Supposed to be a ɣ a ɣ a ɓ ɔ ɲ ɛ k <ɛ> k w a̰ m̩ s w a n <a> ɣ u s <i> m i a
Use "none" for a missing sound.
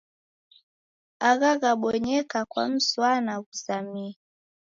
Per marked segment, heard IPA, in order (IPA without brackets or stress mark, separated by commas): a, a, a